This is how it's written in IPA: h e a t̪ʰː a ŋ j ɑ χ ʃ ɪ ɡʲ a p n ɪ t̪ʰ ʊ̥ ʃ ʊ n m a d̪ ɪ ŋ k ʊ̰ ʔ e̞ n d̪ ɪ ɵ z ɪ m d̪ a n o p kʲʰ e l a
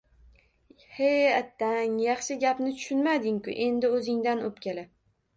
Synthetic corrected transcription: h e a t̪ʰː a ŋ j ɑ χ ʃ ɪ ɡʲ a p n ɪ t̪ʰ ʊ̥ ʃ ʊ n m a d̪ ɪ ŋ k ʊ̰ ʔ e̞ n d̪ ɪ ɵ z ɪ ŋ d̪ a n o p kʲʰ e l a